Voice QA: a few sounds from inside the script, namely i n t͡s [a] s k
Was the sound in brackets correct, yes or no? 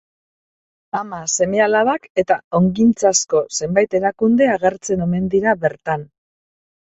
yes